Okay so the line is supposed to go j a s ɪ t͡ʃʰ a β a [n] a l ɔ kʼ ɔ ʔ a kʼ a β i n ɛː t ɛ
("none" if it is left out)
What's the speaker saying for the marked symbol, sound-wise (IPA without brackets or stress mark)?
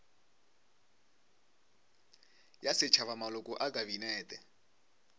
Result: m